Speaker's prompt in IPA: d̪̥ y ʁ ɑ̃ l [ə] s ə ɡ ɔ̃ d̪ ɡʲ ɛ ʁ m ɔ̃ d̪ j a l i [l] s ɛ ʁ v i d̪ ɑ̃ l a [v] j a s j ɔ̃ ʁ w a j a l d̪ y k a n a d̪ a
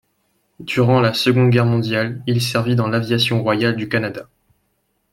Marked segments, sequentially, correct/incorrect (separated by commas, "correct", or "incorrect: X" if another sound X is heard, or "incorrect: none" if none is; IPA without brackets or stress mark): incorrect: a, correct, correct